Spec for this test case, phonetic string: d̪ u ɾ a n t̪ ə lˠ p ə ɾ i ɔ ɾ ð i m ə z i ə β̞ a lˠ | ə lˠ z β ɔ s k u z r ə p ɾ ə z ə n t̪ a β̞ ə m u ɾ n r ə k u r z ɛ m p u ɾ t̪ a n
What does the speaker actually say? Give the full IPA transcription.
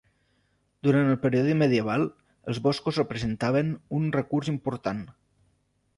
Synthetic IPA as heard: d̪ u ɾ a n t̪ ə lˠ p ə ɾ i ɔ ð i m ə ð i ə β̞ a lˠ | ə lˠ z β ɔ s k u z r ə p ɾ ə z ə n t̪ a β̞ ə n u n r ə k u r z i m p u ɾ t̪ a n